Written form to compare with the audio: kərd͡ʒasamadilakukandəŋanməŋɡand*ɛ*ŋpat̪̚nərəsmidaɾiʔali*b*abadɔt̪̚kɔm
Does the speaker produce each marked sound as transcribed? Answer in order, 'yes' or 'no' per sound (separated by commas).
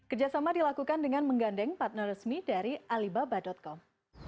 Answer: yes, yes